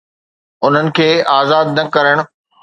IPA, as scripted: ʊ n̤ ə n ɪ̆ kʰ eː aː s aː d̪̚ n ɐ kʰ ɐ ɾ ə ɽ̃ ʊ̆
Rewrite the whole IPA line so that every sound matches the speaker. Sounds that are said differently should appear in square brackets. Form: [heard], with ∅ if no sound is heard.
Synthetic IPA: ʊ n̤ ə n ɪ̆ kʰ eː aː [z] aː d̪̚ n ɐ [k] ɐ ɾ ə ɽ̃ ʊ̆